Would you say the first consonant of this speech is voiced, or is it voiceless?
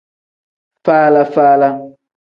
voiceless